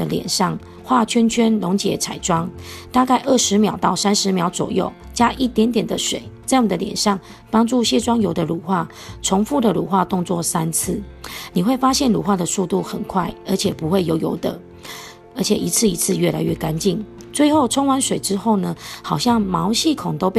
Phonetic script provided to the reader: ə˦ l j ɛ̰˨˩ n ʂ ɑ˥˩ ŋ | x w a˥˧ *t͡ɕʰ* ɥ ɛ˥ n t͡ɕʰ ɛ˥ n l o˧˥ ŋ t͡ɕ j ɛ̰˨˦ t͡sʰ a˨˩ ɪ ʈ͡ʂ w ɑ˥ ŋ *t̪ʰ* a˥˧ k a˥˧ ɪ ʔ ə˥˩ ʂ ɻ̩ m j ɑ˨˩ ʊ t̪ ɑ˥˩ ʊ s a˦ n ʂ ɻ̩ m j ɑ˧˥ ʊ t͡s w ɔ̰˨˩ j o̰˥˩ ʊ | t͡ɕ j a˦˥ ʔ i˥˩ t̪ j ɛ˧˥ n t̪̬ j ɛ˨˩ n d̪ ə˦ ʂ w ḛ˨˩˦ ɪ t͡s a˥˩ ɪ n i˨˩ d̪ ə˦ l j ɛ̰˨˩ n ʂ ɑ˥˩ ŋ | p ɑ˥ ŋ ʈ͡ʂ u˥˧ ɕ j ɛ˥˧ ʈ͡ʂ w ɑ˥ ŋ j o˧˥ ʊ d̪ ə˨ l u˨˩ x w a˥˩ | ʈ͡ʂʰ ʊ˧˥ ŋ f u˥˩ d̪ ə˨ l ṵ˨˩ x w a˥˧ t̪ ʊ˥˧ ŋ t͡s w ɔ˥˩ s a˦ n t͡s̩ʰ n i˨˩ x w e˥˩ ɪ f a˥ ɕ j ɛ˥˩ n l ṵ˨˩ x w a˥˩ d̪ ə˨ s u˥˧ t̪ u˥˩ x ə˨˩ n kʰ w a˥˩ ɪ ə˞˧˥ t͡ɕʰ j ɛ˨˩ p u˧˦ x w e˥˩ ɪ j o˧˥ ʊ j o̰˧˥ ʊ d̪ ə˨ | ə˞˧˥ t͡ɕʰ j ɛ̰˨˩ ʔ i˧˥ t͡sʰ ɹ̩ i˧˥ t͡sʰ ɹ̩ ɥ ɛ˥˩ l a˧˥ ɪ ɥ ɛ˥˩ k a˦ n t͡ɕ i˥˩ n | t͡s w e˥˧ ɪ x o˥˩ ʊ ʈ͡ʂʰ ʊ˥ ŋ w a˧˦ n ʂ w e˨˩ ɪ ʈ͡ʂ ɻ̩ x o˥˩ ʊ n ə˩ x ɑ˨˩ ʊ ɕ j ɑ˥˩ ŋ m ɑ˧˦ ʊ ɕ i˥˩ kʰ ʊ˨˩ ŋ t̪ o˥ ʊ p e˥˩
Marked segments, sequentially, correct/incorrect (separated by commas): correct, incorrect